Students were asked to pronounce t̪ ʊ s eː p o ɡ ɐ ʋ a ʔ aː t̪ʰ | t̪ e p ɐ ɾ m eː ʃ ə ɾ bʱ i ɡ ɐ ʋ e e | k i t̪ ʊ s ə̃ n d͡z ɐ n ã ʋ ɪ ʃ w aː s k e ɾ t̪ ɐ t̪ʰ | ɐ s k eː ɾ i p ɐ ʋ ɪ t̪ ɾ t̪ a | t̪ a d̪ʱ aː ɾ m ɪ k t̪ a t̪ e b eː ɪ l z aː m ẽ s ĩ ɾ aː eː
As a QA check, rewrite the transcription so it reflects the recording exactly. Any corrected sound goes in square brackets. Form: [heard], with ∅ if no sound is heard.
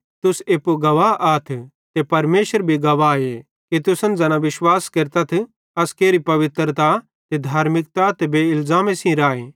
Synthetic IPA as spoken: t̪ ʊ s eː p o ɡ ɐ ʋ a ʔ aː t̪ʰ | t̪ e p ɐ ɾ m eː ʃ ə ɾ bʱ i ɡ ɐ ʋ [a] e | k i t̪ ʊ s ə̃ n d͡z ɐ n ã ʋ ɪ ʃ w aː s k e ɾ t̪ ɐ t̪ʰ | ɐ s k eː ɾ i p ɐ ʋ ɪ t̪ ɾ t̪ a | t̪ [e] d̪ʱ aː ɾ m ɪ k t̪ a t̪ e b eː ɪ l z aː m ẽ s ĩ ɾ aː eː